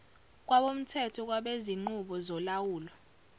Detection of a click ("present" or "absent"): present